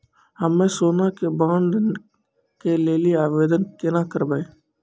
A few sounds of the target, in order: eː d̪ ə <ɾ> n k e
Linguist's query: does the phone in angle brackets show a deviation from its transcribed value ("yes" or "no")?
yes